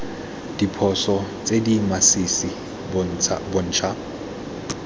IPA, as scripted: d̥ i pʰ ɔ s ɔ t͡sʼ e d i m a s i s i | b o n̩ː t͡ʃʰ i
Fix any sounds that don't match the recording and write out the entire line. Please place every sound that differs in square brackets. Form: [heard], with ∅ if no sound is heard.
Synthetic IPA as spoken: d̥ i pʰ ɔ s ɔ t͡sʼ e d i m a s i s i | b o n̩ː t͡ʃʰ [a]